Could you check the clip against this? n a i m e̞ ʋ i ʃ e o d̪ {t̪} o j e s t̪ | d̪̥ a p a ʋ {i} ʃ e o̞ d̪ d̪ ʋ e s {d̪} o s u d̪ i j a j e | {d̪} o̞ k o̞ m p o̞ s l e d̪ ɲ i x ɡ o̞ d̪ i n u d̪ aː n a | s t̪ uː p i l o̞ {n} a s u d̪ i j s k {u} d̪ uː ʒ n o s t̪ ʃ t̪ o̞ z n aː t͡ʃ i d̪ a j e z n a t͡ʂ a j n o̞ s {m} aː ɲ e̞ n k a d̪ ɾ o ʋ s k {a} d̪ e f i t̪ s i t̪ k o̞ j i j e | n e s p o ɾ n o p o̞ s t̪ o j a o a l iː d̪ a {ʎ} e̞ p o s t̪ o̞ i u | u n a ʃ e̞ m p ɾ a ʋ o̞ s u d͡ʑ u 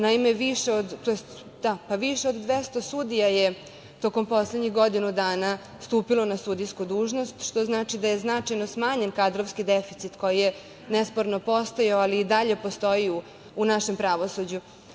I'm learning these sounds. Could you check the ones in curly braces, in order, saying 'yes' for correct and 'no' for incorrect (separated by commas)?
yes, yes, no, no, yes, yes, yes, no, yes